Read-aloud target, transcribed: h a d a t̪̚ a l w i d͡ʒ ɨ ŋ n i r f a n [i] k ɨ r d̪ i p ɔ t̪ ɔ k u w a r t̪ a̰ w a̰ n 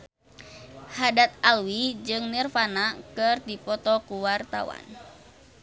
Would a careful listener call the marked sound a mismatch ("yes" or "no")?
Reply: yes